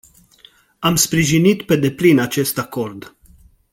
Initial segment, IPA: a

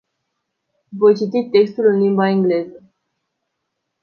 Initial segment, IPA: v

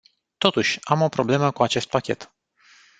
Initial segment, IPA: t̪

